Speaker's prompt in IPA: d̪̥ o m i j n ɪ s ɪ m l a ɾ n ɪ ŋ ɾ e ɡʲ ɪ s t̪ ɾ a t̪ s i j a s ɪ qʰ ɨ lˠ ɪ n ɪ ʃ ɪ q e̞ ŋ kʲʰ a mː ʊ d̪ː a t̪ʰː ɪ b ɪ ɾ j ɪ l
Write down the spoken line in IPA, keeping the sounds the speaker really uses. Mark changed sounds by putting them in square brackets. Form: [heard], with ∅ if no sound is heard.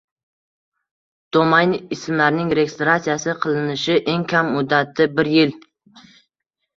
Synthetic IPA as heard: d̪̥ o m [a] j n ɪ s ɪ m l a ɾ n ɪ ŋ ɾ e ɡʲ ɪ s t̪ ɾ a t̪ s i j a s ɪ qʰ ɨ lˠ ɪ n ɪ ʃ ɪ [ʔ] e̞ ŋ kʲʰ a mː ʊ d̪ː a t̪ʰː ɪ b ɪ ɾ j ɪ l